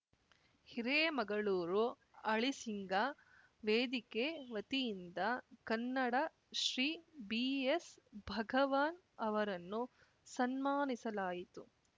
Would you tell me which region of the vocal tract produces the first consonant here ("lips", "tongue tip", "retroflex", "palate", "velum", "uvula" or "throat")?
throat